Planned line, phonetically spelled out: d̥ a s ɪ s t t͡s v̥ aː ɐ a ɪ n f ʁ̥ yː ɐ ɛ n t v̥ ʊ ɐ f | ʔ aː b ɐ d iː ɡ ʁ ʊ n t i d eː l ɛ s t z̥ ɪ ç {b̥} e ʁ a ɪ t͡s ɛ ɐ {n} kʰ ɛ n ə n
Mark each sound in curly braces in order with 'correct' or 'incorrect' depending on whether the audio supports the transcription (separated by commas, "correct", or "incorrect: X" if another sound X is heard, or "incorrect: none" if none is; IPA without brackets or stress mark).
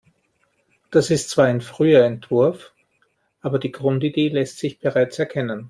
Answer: correct, incorrect: none